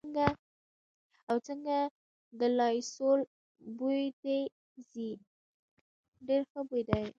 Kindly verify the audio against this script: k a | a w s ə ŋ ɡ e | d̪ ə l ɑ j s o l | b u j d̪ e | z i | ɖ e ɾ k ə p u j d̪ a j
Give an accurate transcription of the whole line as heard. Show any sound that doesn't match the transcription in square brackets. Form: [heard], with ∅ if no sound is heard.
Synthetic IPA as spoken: [ɡ] a | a w [t͡s] ə ŋ ɡ [a] | d̪ ə l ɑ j s o l | b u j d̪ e | z i | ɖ e ɾ [x] ə [b] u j d̪ a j